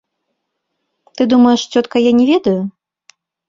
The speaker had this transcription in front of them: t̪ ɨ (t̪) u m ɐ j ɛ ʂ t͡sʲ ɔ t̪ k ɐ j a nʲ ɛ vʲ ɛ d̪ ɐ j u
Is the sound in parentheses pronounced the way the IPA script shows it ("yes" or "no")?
no